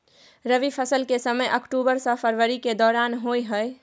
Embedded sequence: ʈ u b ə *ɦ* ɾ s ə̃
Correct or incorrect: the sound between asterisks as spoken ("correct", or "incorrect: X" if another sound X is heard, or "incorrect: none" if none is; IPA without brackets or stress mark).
incorrect: none